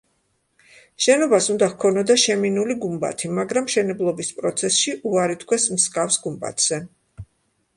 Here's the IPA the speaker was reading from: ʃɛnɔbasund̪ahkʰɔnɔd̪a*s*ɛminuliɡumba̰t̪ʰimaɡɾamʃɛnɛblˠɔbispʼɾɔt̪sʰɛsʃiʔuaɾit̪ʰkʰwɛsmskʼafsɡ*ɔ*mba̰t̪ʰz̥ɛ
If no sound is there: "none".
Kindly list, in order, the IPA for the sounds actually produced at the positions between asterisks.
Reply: ʃ, u

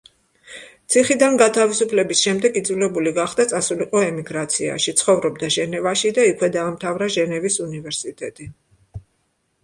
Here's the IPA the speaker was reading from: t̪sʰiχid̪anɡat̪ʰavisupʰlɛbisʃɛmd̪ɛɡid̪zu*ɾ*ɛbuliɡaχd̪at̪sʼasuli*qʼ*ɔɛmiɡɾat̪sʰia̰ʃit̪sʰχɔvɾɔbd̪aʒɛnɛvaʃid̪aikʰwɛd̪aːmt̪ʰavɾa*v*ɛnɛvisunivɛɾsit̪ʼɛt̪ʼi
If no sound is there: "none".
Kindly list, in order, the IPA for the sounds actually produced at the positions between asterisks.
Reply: l, qʼ, ʒ

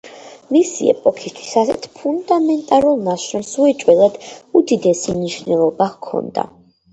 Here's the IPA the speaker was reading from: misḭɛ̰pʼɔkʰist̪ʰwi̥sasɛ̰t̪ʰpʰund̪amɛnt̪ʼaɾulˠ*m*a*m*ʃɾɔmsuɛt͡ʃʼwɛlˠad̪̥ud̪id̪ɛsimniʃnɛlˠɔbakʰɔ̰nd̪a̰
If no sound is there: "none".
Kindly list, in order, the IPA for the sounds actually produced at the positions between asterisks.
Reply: n, none

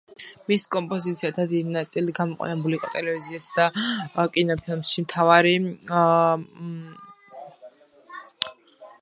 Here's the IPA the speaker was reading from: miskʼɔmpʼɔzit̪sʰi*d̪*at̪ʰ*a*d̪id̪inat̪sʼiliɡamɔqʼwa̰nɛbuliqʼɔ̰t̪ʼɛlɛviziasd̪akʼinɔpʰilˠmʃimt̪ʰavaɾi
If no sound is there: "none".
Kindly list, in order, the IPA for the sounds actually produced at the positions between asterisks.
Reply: none, a

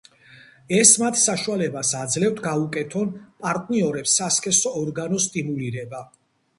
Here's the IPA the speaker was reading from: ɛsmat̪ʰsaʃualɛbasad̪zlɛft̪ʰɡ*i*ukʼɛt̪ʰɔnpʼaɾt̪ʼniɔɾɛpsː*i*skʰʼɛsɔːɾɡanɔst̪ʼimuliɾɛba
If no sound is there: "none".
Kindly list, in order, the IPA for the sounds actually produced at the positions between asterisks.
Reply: a, a

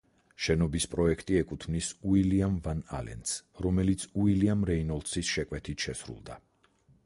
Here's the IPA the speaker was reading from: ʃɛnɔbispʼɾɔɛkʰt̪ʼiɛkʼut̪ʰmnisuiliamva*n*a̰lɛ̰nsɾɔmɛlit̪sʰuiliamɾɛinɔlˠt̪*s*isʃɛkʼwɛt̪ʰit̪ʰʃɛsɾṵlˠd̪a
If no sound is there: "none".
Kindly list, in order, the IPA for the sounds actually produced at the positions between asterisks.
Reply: n, s

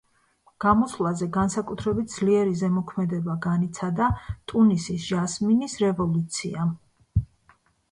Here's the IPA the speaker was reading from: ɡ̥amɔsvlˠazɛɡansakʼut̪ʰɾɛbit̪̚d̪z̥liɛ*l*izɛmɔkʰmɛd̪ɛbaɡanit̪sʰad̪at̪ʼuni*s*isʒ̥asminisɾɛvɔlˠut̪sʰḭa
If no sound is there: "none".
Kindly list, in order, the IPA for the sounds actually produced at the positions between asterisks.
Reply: ɾ, s

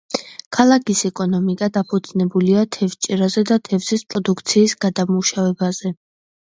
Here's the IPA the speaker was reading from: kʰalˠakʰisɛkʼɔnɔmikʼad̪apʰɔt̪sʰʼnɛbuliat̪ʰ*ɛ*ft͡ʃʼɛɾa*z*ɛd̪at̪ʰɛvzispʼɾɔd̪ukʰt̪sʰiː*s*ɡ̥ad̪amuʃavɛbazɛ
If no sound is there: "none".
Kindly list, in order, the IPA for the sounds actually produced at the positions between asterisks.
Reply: ɛ, z, s

